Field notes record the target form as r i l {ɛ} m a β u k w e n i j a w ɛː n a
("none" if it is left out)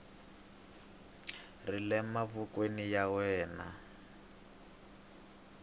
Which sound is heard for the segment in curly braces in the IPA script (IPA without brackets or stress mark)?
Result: ɛ